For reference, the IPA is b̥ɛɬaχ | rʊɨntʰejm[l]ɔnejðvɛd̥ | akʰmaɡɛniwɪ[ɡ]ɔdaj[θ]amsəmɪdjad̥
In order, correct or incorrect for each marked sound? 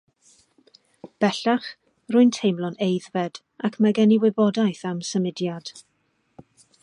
correct, incorrect: b, correct

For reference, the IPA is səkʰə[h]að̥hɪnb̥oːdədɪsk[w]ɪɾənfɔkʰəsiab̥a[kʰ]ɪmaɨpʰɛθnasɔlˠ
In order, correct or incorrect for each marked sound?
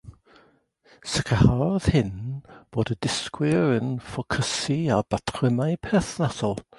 correct, correct, incorrect: tʰ

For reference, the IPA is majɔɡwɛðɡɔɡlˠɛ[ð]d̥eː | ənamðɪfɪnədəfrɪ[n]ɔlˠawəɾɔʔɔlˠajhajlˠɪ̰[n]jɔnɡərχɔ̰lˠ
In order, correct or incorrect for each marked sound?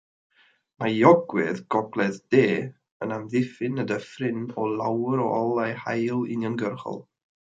correct, correct, correct

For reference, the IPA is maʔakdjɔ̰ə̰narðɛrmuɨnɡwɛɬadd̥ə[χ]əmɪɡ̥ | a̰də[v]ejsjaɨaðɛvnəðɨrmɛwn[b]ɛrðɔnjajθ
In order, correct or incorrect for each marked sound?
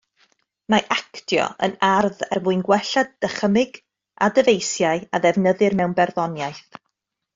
correct, correct, correct

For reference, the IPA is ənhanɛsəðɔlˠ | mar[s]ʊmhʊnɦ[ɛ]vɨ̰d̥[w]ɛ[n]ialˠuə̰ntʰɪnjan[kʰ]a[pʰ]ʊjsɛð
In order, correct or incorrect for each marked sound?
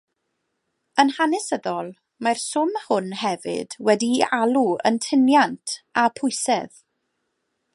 correct, correct, correct, incorrect: d, incorrect: tʰ, correct

